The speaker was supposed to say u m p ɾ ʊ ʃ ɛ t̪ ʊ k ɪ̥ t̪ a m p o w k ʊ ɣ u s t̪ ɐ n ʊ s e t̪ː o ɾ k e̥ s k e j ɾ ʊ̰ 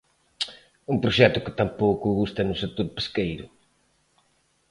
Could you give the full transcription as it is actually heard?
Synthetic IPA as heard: u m p ɾ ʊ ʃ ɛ t̪ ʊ k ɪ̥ t̪ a m p o w k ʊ ɣ u s t̪ ɐ n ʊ s e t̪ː o ɾ p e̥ s k e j ɾ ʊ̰